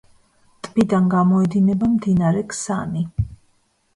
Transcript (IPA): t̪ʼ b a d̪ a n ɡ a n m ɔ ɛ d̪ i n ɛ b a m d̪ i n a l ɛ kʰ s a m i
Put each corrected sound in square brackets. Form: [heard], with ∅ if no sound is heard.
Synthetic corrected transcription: t̪ʼ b [i] d̪ a n ɡ a [∅] m ɔ ɛ d̪ i n ɛ b a m d̪ i n a [ɾ] ɛ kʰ s a [n] i